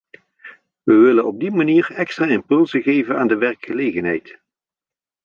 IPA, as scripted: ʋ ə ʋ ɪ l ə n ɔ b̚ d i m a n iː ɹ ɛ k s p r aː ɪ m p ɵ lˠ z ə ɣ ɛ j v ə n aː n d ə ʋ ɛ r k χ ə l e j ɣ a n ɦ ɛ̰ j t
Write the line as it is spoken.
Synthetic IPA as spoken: ʋ ə ʋ ɪ l ə n ɔ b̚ d i m a n iː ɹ ɛ k s t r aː ɪ m p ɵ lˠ z ə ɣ e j v ə n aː n d ə ʋ ɛ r k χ ə l e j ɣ ə n ɦ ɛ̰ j t